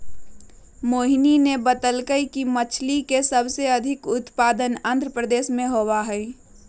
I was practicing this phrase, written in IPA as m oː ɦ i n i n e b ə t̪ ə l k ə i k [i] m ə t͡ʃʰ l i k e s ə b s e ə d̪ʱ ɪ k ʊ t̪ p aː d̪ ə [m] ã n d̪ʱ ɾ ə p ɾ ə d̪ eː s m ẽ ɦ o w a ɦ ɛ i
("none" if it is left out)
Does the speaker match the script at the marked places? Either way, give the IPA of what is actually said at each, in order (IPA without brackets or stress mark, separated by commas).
i, n